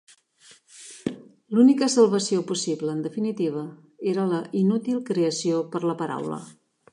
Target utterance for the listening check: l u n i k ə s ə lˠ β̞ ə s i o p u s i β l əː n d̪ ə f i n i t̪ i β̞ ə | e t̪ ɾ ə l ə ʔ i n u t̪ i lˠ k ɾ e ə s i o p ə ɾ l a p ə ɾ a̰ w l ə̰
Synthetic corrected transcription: l u n i k ə s ə lˠ β̞ ə s i o p u s i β l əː n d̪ ə f i n i t̪ i β̞ ə | e ɾ ə l ə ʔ i n u t̪ i lˠ k ɾ e ə s i o p ə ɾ l ə p ə ɾ a̰ w l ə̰